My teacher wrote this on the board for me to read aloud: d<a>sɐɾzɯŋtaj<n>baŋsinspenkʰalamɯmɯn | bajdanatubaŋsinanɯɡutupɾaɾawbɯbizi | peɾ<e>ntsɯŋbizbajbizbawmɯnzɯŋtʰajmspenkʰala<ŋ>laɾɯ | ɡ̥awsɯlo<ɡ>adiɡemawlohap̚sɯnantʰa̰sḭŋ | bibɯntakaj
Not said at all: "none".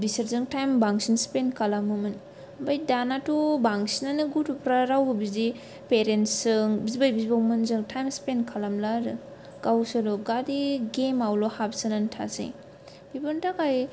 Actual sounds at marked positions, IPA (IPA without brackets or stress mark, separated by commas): i, m, e, m, ɡ